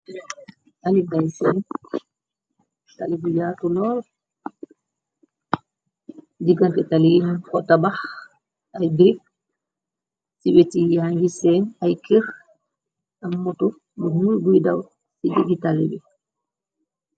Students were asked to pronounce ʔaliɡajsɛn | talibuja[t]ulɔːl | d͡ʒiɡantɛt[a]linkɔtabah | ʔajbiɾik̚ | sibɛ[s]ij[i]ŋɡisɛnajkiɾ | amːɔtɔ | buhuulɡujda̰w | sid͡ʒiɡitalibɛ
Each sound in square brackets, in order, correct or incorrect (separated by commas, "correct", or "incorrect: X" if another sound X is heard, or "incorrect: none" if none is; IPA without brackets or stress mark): correct, correct, incorrect: t, incorrect: a